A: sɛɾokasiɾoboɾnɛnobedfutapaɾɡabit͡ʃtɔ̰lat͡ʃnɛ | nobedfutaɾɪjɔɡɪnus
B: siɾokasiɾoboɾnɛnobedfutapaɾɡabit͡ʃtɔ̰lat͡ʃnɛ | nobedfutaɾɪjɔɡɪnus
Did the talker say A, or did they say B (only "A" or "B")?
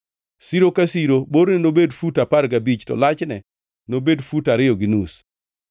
B